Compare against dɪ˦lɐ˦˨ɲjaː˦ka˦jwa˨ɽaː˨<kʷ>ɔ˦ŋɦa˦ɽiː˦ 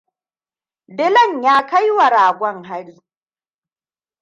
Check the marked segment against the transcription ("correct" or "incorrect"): incorrect